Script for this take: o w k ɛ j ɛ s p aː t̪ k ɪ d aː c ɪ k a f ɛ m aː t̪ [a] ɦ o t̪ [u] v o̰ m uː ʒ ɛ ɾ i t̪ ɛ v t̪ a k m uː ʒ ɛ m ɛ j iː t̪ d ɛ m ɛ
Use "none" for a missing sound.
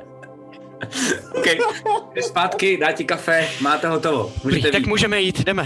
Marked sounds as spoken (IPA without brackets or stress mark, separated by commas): ɛ, o